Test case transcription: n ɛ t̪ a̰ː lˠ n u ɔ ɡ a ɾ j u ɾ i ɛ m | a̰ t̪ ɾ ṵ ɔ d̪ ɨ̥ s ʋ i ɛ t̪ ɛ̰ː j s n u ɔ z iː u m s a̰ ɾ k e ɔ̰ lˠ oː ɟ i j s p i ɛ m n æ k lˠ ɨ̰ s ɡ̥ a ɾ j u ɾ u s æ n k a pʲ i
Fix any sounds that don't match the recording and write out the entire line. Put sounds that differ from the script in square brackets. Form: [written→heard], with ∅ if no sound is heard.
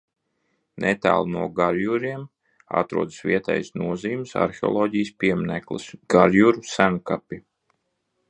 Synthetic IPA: n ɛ t̪ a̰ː lˠ n u ɔ ɡ a ɾ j u ɾ i ɛ m | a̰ t̪ ɾ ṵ ɔ d̪ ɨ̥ s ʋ i ɛ t̪ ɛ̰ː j s n u ɔ z iː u m s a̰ ɾ [k→x] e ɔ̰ lˠ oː ɟ i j s p i ɛ m n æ k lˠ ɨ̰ s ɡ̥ a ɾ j u ɾ u s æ n k a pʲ i

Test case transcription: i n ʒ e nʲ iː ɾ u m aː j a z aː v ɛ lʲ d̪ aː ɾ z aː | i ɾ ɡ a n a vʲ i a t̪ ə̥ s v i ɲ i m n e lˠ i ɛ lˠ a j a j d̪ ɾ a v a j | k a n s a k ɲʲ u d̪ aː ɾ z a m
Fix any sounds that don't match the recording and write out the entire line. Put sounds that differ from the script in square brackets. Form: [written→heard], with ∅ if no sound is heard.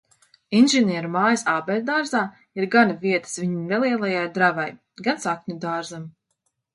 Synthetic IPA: i n ʒ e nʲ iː ɾ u m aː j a [z→s] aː [v→b] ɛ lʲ d̪ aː ɾ z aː | i ɾ ɡ a n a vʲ i [a→ɛ] t̪ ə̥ s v i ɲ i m n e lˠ i ɛ lˠ a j a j d̪ ɾ a v a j | [k→ɡ] a n s a k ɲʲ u d̪ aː ɾ z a m

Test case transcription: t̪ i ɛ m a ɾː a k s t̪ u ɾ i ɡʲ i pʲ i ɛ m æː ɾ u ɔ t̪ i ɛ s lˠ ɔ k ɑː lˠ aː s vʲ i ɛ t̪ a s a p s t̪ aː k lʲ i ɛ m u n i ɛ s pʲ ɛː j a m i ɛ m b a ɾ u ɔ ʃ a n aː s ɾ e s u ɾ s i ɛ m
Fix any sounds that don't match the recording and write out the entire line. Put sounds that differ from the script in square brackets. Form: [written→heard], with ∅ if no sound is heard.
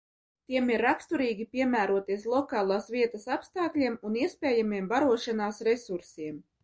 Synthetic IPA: t̪ i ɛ m [a→i] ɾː a k s t̪ u ɾ [i→iː] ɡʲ i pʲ i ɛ m æː ɾ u ɔ t̪ i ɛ s lˠ ɔ k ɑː lˠ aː s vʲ i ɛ t̪ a s a p s t̪ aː k lʲ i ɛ m u n i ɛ s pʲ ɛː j a m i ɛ m b a ɾ u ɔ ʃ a n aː s ɾ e s u ɾ s i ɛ m

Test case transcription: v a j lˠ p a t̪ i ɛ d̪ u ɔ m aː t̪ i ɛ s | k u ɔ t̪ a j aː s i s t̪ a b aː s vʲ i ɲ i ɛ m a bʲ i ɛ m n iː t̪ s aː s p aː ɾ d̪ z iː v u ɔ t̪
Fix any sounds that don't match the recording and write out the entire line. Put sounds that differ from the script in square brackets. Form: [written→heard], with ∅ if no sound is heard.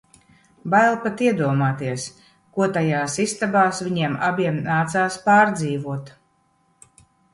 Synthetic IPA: [v→b] a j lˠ p a t̪ i ɛ d̪ u ɔ m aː t̪ i ɛ s | k u ɔ t̪ a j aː s i s t̪ a b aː s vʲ i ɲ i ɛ m a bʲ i ɛ m n [iː→aː] t̪ s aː s p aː ɾ d̪ z iː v u ɔ t̪

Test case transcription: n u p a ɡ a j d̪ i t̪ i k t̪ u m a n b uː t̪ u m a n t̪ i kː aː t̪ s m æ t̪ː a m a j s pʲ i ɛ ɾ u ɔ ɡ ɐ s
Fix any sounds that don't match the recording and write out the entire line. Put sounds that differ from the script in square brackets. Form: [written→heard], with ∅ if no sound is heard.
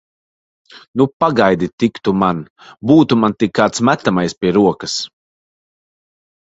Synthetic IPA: n u p a ɡ a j d̪ i t̪ i k t̪ u m a n b uː t̪ u m a n t̪ i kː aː t̪ s m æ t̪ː a m a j s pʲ i ɛ ɾ u ɔ [ɡ→k] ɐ s

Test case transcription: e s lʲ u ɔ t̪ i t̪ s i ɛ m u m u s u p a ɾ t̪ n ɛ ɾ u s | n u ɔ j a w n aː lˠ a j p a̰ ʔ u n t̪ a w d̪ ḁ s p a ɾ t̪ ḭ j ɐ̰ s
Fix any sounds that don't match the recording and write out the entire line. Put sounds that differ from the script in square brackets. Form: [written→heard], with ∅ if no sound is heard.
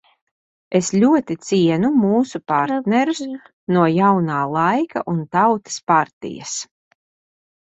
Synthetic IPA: e s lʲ u ɔ t̪ i t̪ s i ɛ [m→n] u m [u→uː] s u p a ɾ t̪ n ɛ ɾ u s | n u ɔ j a w n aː lˠ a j [p→k] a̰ ʔ u n t̪ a w [d̪→t̪] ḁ s p a ɾ t̪ ḭ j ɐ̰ s

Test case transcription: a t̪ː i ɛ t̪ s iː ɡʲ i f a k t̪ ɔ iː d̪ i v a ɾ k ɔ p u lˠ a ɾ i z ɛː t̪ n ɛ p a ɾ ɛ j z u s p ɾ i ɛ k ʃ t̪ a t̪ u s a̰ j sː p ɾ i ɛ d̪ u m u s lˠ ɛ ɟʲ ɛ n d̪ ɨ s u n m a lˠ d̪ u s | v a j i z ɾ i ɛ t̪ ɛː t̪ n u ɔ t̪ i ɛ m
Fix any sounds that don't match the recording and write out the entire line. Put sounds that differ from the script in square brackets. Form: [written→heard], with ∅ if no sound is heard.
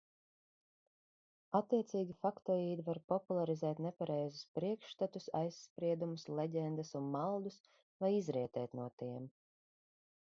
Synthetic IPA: a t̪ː i ɛ t̪ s iː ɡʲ i f a k t̪ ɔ iː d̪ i v a ɾ [k→p] ɔ p u lˠ a ɾ i z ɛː t̪ n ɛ p a ɾ ɛ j z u s p ɾ i ɛ k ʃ t̪ a t̪ u s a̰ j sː p ɾ i ɛ d̪ u m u s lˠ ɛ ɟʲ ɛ n d̪ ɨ s u n m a lˠ d̪ u s | v a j i z ɾ i ɛ t̪ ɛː t̪ n u ɔ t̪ i ɛ m

